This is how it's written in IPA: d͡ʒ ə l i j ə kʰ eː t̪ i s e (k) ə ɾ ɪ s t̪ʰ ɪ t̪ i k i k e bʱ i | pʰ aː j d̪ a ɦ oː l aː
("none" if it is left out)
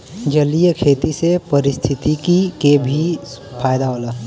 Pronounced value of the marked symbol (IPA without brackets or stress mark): p